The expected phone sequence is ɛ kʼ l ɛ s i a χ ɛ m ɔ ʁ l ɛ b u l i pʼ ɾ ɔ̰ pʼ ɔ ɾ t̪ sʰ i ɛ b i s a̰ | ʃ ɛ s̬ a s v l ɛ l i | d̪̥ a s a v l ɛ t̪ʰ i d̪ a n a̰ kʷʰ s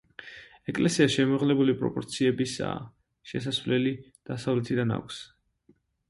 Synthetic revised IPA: ɛ kʼ l ɛ s i a ʃ ɛ m ɔ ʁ l ɛ b u l i pʼ ɾ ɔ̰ pʼ ɔ ɾ t̪ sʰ i ɛ b i s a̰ | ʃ ɛ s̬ a s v l ɛ l i | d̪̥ a s a v l ɛ t̪ʰ i d̪ a n a̰ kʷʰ s

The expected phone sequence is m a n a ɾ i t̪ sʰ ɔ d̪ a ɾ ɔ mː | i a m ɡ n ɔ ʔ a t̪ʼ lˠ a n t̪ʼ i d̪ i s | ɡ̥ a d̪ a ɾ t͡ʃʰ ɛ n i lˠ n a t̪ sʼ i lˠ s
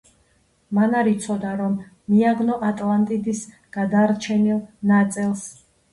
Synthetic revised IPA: m a n a ɾ i t̪ sʰ ɔ d̪ a ɾ ɔ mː | i a ɡ n ɔ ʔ a t̪ʼ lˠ a n t̪ʼ i d̪ i s | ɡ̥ a d̪ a ɾ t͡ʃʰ ɛ n i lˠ n a t̪ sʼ i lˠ s

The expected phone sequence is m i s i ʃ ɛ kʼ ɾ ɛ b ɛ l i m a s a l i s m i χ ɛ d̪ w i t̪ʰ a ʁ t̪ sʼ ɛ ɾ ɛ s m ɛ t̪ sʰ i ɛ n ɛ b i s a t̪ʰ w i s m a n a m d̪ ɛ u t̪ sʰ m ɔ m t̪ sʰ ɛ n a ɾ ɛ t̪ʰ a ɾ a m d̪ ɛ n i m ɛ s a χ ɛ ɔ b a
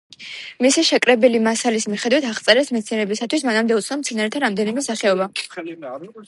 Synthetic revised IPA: m i s i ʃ ɛ kʼ ɾ ɛ b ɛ l i m a s a l i s m i χ ɛ d̪ w i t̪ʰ a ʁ t̪ sʼ ɛ ɾ ɛ s m ɛ t̪ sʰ i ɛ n ɛ b i s a t̪ʰ w i s m a n a m d̪ ɛ u t̪ sʰ n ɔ m t̪ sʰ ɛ n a ɾ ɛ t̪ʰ a ɾ a m d̪ ɛ n i m ɛ s a χ ɛ ɔ b a

